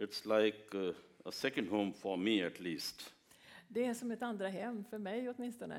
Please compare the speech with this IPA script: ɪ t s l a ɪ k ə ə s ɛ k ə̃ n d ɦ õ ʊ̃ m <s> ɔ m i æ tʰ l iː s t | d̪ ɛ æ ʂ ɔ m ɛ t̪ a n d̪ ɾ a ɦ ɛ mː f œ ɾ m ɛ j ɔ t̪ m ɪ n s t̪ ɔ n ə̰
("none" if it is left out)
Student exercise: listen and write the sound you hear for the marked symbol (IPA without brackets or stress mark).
f